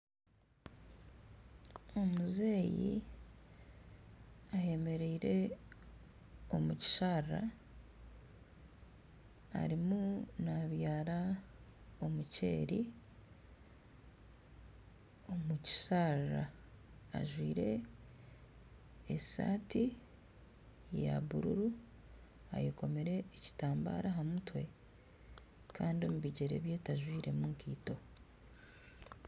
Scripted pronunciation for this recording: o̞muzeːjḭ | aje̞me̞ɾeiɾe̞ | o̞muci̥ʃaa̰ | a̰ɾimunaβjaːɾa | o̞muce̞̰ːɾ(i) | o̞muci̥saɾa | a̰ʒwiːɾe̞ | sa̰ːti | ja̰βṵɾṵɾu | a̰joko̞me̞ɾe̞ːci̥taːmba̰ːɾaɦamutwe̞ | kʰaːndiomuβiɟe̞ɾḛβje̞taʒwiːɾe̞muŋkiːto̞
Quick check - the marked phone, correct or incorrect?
correct